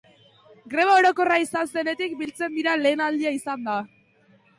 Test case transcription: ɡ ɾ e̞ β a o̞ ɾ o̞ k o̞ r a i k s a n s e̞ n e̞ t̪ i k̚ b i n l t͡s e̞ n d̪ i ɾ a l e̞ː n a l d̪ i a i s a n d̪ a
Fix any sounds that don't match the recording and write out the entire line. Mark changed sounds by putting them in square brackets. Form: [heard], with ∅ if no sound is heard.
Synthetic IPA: ɡ ɾ e̞ β a o̞ ɾ o̞ k o̞ r a i [∅] s a n s e̞ n e̞ t̪ i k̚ b i [∅] l t͡s e̞ n d̪ i ɾ a l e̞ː n a l d̪ i a i s a n d̪ a

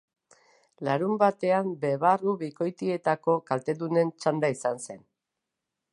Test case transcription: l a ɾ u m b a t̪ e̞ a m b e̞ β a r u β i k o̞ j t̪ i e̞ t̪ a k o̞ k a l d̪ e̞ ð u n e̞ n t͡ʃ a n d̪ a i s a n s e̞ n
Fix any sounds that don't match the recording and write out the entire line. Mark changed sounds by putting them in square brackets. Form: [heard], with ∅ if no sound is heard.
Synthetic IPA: l a ɾ u m b a t̪ e̞ a m b e̞ β a r u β i k o̞ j t̪ i e̞ t̪ a k o̞ k a l [t̪] e̞ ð u n e̞ n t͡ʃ a n d̪ a i s a n s e̞ n

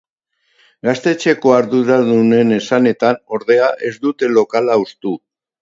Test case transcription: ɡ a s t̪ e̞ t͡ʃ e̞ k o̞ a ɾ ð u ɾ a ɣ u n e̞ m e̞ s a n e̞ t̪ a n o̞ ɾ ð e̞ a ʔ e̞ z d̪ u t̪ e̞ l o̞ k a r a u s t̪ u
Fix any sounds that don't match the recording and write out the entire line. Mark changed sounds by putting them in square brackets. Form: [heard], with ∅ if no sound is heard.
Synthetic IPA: ɡ a s t̪ e̞ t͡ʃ e̞ k o̞ a ɾ ð u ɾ a [ð] u n e̞ [n] e̞ s a n e̞ t̪ a n o̞ ɾ ð e̞ a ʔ e̞ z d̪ u t̪ e̞ l o̞ k a [l] a u s t̪ u

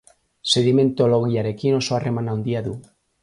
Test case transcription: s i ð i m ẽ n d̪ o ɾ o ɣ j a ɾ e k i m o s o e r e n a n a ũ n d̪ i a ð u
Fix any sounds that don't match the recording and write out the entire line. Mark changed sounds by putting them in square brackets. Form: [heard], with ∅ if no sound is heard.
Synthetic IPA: s [e] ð i m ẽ n [t̪] o [l] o ɣ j a ɾ e k i [n] o s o [a] r e [m] a n a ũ n d̪ i a ð u

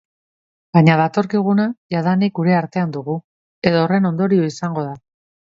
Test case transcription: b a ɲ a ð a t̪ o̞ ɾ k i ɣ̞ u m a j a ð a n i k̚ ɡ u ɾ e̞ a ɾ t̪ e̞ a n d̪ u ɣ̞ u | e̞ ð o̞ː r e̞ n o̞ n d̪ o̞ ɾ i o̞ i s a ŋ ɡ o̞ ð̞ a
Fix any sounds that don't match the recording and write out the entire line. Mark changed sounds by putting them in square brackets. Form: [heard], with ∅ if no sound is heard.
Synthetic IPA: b a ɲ a ð a t̪ o̞ ɾ k i ɣ̞ u [n] a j a ð a n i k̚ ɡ u ɾ e̞ a ɾ t̪ e̞ a n d̪ u ɣ̞ u | e̞ ð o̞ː r e̞ n o̞ n d̪ o̞ ɾ i o̞ i s a ŋ ɡ o̞ ð̞ a

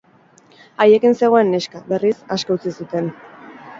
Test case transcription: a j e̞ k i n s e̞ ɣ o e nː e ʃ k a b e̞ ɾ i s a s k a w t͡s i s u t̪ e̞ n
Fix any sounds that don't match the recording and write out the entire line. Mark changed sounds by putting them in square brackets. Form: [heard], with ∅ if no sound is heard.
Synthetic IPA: a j e̞ k i n s e̞ ɣ o e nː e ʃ k a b e̞ [r] i s a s k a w t͡s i s u t̪ e̞ n

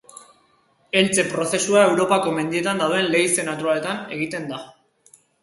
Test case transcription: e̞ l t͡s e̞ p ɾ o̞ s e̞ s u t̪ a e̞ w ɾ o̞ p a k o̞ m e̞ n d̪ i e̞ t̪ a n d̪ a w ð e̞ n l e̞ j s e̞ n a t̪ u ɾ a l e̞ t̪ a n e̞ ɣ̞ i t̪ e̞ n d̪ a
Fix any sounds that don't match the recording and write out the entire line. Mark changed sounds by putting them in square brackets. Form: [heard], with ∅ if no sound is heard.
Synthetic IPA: e̞ l t͡s e̞ p ɾ o̞ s e̞ s u [∅] a e̞ w ɾ o̞ p a k o̞ m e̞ n d̪ i e̞ t̪ a n d̪ a w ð e̞ n l e̞ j s e̞ n a t̪ u ɾ a l e̞ t̪ a n e̞ ɣ̞ i t̪ e̞ n d̪ a

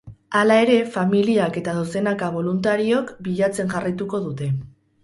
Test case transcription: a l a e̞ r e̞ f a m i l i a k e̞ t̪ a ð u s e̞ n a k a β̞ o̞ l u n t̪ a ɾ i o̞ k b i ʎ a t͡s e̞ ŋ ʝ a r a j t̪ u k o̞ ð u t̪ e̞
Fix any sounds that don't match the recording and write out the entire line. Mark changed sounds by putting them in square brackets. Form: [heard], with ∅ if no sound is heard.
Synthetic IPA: a l a e̞ [ɾ] e̞ f a m i l i a k e̞ t̪ a ð [o] s e̞ n a k a β̞ o̞ l u n t̪ a ɾ i o̞ k b i ʎ a t͡s e̞ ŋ ʝ a r a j t̪ u k o̞ ð u t̪ e̞

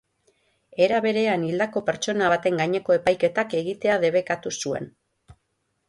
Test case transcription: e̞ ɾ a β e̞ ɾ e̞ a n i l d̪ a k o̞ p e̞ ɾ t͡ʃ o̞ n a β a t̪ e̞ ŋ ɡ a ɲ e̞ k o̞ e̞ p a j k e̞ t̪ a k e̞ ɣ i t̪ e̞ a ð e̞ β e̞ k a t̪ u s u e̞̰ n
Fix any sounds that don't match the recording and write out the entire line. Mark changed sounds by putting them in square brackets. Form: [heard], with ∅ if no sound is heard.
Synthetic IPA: e̞ ɾ a β e̞ ɾ e̞ a n i l d̪ a k o̞ p e̞ ɾ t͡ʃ o̞ n a β a t̪ e̞ ŋ ɡ a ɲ e̞ k o̞ e̞ p a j k e̞ t̪ a k e̞ ɣ i t̪ e̞ a ð e̞ β e̞ k a t̪ u s u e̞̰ n

